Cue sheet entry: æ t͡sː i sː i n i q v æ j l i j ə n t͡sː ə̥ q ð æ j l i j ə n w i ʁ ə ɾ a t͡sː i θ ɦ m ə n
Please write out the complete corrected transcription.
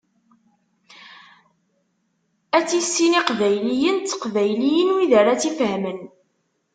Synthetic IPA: æ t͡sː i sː i n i q v æ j l i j ə n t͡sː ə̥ q v æ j l i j ə n w i ð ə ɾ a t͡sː i f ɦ m ə n